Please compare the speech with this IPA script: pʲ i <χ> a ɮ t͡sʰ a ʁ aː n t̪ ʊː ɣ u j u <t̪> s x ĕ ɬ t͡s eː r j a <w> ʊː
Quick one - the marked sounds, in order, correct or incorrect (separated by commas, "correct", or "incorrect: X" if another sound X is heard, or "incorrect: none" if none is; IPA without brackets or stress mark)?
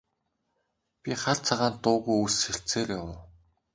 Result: correct, incorrect: none, correct